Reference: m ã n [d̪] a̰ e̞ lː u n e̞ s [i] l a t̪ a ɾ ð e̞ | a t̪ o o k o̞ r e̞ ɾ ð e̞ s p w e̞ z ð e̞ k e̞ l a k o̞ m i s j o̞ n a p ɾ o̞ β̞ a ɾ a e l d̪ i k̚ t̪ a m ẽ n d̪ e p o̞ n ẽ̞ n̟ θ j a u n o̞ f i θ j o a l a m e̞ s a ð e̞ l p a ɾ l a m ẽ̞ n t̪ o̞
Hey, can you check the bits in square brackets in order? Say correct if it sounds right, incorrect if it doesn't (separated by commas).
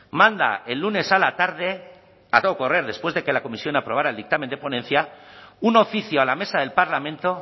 correct, incorrect